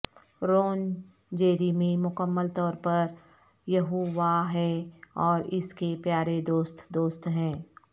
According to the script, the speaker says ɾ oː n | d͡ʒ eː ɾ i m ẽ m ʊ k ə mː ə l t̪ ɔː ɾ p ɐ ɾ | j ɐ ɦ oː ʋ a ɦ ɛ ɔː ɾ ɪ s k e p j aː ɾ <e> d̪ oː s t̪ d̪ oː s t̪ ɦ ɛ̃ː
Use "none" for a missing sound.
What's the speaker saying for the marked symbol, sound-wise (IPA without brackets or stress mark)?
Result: e